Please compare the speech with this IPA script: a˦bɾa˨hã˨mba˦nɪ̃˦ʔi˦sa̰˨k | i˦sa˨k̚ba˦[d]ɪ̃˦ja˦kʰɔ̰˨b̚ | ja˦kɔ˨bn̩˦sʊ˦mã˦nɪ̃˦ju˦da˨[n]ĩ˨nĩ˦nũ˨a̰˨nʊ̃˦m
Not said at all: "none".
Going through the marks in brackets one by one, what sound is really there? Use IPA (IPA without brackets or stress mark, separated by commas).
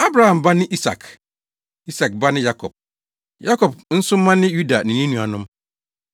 n, n